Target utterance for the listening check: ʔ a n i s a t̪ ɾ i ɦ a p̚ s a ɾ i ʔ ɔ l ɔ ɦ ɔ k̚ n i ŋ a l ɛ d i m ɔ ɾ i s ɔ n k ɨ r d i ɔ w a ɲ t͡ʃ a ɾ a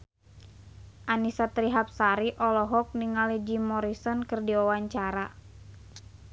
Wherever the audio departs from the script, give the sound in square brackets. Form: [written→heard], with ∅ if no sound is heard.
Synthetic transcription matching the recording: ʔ a n i s a t̪ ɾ i ɦ a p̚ s a ɾ i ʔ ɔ l ɔ ɦ ɔ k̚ n i ŋ a l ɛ [d→d͡ʒ] i m ɔ ɾ i s ɔ n k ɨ r d i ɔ w a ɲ t͡ʃ a ɾ a